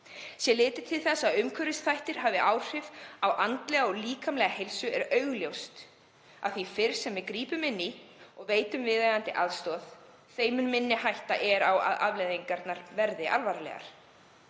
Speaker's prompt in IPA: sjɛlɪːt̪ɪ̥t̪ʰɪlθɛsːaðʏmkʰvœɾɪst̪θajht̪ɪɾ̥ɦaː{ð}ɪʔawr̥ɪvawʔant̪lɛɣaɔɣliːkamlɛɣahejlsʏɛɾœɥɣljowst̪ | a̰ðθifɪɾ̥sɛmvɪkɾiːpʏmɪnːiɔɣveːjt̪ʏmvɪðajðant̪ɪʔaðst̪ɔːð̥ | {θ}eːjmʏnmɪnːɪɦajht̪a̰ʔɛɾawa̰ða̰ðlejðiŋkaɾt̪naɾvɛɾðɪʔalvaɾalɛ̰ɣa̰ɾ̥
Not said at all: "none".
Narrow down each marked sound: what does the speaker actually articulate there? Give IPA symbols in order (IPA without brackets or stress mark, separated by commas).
v, θ